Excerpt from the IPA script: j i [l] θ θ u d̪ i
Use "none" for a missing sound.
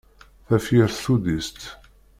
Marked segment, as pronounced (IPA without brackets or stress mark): ɾ